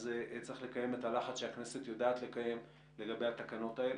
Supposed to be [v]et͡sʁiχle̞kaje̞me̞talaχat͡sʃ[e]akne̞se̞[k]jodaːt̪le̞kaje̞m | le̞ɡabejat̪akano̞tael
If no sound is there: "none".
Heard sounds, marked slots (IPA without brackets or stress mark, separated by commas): z, e, t